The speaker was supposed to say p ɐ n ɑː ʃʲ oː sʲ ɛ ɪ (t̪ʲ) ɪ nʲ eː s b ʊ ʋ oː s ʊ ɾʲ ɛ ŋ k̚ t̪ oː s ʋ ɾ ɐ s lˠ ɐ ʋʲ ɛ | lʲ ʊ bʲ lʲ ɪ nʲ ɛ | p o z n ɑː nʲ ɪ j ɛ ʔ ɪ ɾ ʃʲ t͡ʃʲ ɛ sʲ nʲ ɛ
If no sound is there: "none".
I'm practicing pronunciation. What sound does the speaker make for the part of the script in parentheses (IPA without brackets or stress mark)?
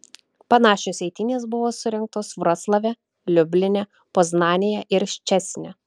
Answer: t̪ʲ